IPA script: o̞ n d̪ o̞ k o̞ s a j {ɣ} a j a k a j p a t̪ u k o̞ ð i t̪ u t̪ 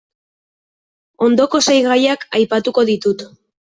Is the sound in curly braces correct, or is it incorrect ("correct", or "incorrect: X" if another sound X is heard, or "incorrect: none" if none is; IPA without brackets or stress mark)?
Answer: correct